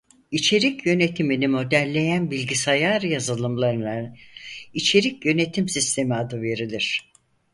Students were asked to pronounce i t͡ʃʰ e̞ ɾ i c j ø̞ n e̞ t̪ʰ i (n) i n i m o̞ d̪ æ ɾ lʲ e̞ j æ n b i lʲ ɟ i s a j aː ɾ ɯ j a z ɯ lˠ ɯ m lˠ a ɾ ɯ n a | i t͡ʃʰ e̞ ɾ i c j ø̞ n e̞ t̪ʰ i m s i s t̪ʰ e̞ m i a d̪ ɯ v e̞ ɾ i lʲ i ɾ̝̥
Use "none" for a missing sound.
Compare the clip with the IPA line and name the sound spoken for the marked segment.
m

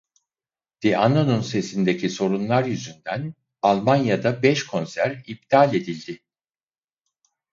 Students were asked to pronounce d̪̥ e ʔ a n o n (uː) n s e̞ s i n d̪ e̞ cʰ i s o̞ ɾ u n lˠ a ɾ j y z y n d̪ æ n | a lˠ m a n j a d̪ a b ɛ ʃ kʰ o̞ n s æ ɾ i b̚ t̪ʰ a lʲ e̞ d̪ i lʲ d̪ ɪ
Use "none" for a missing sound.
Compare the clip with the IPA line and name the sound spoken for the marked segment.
u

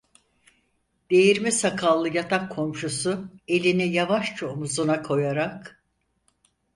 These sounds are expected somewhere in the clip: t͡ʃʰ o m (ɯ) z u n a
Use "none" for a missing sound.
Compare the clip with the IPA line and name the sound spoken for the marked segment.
u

